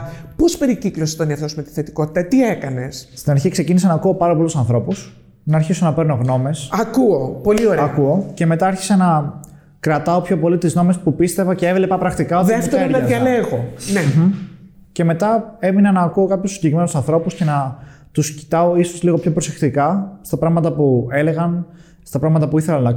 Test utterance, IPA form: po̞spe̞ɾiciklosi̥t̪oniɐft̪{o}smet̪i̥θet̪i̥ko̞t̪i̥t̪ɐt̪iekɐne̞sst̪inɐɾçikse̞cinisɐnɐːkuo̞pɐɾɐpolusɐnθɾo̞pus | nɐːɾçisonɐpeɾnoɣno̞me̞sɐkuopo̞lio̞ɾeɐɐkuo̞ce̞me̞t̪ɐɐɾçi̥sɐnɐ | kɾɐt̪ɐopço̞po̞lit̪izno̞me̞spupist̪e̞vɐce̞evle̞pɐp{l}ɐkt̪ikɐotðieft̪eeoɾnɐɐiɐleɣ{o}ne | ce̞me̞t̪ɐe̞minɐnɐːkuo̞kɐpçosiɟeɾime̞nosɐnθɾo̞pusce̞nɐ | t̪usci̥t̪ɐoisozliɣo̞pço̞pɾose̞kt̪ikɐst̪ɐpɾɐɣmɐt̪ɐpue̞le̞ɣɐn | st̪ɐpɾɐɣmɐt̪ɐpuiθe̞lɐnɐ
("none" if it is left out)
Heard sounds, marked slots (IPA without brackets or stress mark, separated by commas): o, ɾ, o